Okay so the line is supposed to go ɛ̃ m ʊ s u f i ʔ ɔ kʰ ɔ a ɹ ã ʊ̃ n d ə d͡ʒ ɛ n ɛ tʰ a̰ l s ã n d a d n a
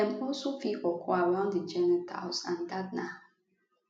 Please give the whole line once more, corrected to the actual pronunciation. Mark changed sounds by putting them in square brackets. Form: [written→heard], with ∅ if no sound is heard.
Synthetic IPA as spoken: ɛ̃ m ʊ s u f i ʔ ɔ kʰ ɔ a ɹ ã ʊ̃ n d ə d͡ʒ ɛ n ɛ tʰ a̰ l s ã n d a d n a